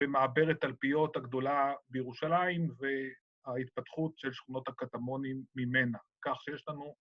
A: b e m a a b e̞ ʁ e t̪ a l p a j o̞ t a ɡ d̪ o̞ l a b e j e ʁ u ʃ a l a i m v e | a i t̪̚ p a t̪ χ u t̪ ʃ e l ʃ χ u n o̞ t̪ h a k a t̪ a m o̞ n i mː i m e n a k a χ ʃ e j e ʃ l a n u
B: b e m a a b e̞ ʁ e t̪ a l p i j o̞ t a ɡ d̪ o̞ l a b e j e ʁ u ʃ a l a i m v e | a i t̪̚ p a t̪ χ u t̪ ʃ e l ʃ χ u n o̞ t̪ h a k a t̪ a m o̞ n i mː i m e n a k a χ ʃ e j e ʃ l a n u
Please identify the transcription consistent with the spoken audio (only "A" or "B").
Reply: B